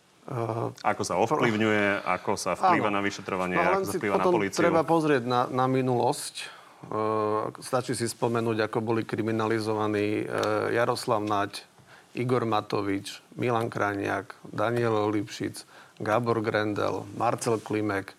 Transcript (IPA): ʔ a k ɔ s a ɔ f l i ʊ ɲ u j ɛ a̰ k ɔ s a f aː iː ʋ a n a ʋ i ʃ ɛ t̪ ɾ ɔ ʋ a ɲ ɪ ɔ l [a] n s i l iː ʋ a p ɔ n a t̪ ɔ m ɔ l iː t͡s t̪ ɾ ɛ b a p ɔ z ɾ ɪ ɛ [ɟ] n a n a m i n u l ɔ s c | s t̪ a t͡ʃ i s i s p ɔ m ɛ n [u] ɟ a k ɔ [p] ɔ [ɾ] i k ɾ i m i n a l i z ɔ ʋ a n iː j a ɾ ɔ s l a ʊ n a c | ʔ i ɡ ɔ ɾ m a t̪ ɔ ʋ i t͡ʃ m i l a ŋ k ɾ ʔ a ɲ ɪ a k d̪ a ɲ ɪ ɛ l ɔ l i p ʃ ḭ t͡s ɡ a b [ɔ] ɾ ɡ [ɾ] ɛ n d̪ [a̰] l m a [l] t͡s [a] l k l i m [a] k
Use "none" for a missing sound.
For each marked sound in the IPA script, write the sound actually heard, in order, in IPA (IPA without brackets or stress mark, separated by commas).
ɛ, ɟ, uː, b, l, ɔ, ɾ, ɛ̰, ɾ, ɛ, ɛ